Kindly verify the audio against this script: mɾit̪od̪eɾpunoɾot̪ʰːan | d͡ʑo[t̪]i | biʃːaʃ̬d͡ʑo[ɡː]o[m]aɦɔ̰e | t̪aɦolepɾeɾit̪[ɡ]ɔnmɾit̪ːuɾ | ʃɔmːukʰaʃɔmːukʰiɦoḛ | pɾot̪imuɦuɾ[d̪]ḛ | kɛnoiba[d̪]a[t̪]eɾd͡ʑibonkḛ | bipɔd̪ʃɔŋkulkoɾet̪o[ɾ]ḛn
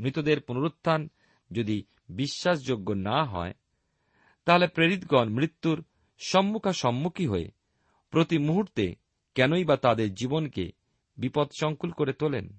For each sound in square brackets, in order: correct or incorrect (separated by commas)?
incorrect, correct, incorrect, correct, incorrect, incorrect, incorrect, incorrect